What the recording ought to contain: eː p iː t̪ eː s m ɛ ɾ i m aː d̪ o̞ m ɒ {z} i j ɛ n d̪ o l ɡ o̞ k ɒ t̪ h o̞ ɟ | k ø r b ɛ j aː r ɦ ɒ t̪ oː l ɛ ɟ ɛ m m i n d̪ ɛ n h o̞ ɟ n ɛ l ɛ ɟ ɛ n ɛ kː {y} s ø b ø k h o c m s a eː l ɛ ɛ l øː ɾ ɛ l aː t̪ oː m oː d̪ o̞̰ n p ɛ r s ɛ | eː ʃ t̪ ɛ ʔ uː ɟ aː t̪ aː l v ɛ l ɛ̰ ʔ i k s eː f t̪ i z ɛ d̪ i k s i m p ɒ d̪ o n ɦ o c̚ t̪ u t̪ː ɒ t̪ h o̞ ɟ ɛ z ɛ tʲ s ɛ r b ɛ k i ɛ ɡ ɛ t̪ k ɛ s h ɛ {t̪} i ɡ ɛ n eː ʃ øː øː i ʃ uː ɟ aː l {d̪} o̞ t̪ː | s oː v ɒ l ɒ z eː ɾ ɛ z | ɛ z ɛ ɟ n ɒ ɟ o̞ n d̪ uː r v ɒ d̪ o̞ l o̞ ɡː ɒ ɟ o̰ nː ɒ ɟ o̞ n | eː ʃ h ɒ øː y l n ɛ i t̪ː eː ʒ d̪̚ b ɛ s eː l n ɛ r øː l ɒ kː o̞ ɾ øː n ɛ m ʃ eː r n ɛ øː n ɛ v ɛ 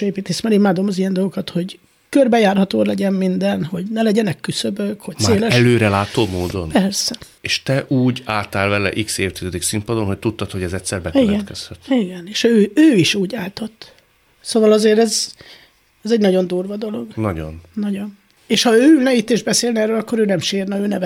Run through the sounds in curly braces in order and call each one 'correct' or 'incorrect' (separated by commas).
correct, correct, correct, incorrect